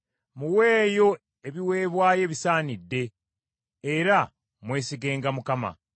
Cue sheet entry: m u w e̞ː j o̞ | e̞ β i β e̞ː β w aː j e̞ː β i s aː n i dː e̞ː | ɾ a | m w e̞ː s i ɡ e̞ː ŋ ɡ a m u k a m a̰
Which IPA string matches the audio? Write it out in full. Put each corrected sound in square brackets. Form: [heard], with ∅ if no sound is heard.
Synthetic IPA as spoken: m u w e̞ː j o̞ | e̞ β i [w] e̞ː β w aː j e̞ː β i s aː n i dː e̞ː | ɾ a | m w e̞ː s i ɡ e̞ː ŋ ɡ a m u k a m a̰

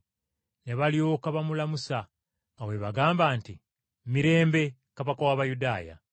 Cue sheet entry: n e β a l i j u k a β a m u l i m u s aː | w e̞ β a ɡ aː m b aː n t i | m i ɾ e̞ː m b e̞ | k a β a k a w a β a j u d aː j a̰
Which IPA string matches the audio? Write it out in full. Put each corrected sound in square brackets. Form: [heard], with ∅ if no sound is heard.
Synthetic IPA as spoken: n e β a l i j [o] k a β a m u l [a] m u s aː | w e̞ β a ɡ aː m b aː n t i | m i ɾ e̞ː m b e̞ | k a β a k a w a β a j u d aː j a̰

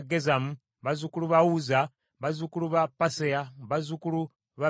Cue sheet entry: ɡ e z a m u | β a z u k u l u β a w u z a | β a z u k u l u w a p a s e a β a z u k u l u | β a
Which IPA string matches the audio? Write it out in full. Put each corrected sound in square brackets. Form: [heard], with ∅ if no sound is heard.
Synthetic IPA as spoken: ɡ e z a m u | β a z u k u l u β a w u z a | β a z u k u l u [β] a p a s e a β a z u k u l u | β a

